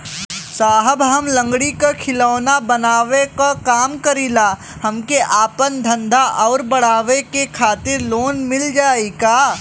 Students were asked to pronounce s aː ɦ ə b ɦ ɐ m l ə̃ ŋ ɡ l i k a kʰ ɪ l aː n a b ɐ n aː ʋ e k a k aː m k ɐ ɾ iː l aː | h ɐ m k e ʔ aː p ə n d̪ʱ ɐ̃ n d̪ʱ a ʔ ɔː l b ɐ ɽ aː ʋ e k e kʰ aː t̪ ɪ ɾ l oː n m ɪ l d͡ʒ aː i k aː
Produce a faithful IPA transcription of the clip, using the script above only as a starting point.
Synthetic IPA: s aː ɦ ə b ɦ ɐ m l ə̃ ŋ ɡ ɽ i k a kʰ ɪ l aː n a b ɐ n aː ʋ e k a k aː m k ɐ ɾ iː l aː | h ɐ m k e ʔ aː p ə n d̪ʱ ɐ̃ n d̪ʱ a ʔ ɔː ɾ b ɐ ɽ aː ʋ e k e kʰ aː t̪ ɪ ɾ l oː n m ɪ l d͡ʒ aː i k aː